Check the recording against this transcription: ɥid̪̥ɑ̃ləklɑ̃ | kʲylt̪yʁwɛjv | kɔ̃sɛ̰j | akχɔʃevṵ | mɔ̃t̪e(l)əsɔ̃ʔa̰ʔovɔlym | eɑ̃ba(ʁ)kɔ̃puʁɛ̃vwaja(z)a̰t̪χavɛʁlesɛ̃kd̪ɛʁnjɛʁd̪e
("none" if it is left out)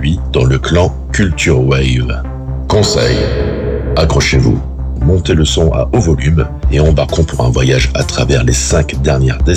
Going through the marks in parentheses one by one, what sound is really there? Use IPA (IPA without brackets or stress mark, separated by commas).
l, ʁ, ʒ